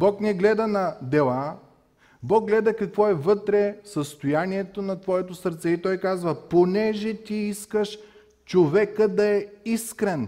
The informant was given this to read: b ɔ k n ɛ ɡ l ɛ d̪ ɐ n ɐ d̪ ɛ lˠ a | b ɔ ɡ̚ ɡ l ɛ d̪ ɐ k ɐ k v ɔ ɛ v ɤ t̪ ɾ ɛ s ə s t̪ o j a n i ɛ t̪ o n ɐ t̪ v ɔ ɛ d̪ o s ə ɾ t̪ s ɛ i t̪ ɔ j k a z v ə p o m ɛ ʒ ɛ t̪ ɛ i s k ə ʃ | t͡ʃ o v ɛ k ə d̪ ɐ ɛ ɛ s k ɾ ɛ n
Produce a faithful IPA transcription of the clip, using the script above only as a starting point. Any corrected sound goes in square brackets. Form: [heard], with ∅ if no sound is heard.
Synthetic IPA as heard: b ɔ k n ɛ ɡ l ɛ d̪ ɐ n ɐ d̪ ɛ lˠ a | b ɔ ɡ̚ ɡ l ɛ d̪ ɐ k ɐ k v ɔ ɛ v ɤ t̪ ɾ ɛ s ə s t̪ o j a n i ɛ t̪ o n ɐ t̪ v ɔ ɛ [t̪] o s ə ɾ t̪ s ɛ i t̪ ɔ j k a z v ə p o [n] ɛ ʒ ɛ t̪ [i] i s k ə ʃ | t͡ʃ o v ɛ k ə d̪ ɐ ɛ [i] s k ɾ ɛ n